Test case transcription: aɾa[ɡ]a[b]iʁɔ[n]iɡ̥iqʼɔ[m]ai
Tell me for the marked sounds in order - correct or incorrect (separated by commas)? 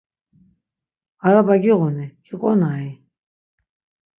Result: incorrect, incorrect, correct, incorrect